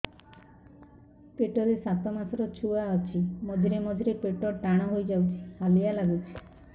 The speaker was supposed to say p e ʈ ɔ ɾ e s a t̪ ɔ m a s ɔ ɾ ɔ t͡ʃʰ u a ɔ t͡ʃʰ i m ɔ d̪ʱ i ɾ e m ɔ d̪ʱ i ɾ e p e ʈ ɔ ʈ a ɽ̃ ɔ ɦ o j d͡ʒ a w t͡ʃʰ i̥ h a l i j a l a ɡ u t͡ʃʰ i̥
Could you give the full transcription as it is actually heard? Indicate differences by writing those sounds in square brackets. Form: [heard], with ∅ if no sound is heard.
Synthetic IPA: p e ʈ ɔ ɾ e s a t̪ ɔ m a s ɔ ɾ ɔ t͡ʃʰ u a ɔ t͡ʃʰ i m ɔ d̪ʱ i ɾ e m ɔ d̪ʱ i ɾ e p e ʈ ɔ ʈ a ɽ̃ ɔ ɦ o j d͡ʒ a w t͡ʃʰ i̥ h a l i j a l a ɡ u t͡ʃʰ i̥